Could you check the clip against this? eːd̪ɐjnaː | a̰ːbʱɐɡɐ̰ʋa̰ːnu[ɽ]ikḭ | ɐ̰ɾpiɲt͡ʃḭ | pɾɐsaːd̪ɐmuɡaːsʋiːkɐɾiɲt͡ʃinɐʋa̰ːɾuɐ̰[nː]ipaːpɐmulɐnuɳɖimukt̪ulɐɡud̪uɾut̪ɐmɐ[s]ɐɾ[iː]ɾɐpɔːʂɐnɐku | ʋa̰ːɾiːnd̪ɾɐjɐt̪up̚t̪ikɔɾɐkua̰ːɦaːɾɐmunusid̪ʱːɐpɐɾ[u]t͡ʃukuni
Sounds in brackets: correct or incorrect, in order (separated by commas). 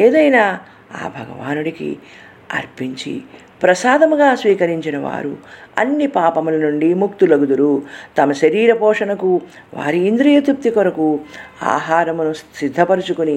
correct, correct, incorrect, correct, correct